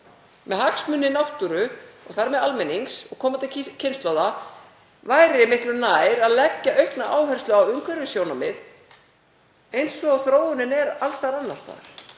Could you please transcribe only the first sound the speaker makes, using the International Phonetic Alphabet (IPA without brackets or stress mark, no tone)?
m